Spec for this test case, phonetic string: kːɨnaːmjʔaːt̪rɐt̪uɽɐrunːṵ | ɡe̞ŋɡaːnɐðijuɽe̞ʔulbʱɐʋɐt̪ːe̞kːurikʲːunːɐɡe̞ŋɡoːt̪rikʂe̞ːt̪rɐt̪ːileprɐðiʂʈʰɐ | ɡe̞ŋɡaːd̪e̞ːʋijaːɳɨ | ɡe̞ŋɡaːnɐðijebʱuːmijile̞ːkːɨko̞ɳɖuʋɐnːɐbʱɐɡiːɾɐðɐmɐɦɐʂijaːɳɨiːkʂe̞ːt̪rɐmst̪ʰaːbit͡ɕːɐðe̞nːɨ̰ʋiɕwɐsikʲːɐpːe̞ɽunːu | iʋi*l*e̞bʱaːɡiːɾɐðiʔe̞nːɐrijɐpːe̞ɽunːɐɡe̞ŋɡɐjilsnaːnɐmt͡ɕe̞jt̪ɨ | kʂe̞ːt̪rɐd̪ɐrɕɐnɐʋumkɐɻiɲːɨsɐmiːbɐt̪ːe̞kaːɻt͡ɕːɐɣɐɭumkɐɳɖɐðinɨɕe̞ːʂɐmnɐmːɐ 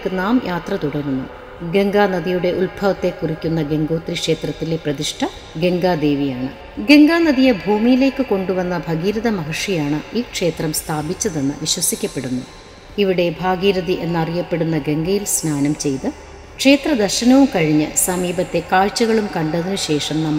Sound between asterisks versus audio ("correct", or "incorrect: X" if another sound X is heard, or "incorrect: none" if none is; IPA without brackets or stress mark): incorrect: ɽ